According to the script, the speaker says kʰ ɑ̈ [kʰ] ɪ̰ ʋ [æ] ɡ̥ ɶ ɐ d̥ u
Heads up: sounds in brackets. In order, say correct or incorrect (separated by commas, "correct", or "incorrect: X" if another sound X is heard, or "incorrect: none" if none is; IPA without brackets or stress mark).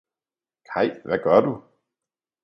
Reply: incorrect: none, correct